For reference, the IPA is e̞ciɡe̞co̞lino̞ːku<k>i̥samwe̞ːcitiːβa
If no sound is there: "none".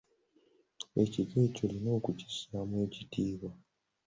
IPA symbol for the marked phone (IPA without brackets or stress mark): c